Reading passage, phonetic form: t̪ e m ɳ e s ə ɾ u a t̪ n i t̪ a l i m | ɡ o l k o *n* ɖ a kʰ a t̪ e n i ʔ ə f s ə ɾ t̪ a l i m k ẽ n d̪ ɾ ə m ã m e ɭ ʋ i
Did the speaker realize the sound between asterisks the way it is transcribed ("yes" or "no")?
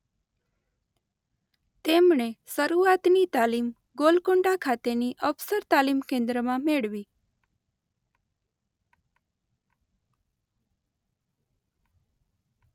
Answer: no